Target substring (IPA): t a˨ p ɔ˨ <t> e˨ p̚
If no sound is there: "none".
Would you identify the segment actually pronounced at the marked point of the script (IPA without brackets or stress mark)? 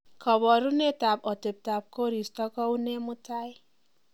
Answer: t